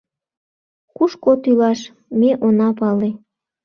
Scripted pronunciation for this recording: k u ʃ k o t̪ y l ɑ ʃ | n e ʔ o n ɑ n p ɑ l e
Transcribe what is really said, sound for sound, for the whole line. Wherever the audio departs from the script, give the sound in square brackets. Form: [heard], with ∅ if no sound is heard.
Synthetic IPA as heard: k u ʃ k o t̪ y l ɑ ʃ | [m] e ʔ o n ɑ [∅] p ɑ l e